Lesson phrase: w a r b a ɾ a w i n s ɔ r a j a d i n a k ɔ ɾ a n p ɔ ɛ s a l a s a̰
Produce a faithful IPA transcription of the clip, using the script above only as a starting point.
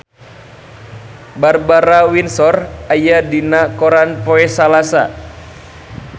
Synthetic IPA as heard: b a r b a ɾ a w i n s ɔ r a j a d i n a k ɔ ɾ a n p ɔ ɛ s a l a s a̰